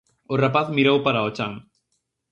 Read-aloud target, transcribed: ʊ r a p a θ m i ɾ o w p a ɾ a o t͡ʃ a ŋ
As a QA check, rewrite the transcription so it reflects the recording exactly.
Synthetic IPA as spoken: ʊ r a p a θ m i ɾ o w p a ɾ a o t͡ʃ a ŋ